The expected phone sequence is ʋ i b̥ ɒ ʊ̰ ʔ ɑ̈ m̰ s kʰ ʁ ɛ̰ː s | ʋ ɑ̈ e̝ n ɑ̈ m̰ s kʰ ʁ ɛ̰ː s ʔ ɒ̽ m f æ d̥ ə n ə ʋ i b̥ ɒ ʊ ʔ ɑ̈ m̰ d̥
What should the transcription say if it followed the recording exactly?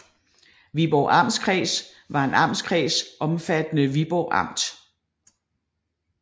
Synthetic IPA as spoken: ʋ i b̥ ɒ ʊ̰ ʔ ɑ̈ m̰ s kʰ ʁ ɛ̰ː s | ʋ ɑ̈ e̝ n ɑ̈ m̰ s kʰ ʁ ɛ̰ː s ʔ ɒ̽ m f æ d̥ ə n ə ʋ i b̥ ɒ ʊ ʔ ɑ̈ m̰ d̥